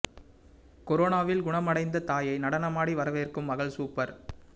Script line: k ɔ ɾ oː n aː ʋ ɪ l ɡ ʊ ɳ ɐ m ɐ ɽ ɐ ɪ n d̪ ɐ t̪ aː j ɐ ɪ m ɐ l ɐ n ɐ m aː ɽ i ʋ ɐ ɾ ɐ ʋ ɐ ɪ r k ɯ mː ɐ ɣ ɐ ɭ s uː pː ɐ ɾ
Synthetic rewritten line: k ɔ ɾ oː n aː ʋ ɪ l ɡ ʊ ɳ ɐ m ɐ ɽ ɐ ɪ n d̪ ɐ t̪ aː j ɐ ɪ n ɐ ɽ ɐ n ɐ m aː ɽ i ʋ ɐ ɾ ɐ ʋ ɐ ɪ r k ɯ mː ɐ ɣ ɐ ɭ s uː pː ɐ ɾ